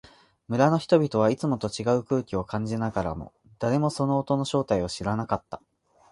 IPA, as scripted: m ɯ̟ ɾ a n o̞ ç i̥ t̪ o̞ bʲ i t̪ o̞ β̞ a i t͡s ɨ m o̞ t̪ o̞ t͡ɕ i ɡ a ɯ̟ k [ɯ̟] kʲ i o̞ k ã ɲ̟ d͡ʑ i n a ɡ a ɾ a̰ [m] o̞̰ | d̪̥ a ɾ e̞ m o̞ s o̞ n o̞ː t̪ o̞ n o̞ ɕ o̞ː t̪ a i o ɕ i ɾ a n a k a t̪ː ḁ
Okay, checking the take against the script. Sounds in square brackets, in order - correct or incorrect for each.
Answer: incorrect: ɯ̟ː, correct

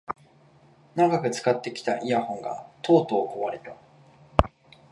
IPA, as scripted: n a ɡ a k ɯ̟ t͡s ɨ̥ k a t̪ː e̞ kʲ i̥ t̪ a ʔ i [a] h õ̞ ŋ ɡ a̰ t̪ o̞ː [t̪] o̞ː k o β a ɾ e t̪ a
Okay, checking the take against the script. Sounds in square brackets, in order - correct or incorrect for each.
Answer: correct, correct

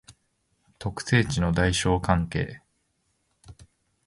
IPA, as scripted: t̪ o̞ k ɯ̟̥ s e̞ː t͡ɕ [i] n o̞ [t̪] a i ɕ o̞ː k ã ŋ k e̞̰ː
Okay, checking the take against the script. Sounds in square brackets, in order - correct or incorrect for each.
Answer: correct, incorrect: d̪

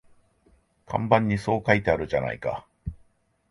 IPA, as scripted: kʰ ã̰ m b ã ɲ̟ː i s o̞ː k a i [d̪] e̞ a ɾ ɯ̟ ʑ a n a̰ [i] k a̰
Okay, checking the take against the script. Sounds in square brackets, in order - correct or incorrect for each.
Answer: incorrect: t̪, correct

